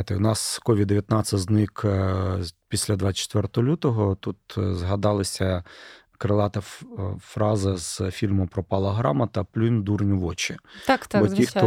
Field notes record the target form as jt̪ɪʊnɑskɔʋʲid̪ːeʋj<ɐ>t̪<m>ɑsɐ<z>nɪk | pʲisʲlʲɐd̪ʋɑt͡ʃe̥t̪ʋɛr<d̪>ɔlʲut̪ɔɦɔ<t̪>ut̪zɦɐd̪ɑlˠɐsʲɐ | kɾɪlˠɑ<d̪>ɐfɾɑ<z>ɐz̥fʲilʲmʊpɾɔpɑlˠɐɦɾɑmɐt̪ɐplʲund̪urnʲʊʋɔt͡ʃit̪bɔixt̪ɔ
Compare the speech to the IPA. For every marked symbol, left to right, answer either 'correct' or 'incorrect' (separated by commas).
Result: correct, incorrect, correct, incorrect, correct, incorrect, correct